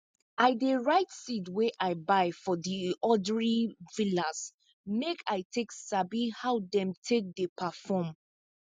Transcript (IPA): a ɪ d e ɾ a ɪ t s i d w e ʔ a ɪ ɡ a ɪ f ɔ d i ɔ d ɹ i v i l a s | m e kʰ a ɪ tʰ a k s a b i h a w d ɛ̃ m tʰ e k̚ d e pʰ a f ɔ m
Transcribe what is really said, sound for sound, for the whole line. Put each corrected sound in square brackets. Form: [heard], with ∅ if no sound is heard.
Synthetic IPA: a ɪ d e [ɹ] a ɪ t s i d w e ʔ a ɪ [b] a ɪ f ɔ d i ɔ d ɹ i v i l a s | m e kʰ a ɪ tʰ [e] k s a b i h a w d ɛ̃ m tʰ e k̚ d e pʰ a f ɔ m